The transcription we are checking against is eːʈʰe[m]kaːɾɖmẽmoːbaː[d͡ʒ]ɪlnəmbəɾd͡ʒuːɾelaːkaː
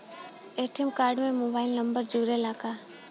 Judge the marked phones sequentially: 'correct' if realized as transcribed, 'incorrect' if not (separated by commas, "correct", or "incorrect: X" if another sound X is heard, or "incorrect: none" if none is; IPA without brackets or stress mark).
correct, incorrect: none